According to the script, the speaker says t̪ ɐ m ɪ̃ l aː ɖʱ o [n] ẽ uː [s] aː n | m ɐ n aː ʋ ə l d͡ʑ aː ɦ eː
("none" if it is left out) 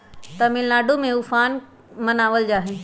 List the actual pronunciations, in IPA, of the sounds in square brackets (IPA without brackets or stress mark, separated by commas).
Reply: m, f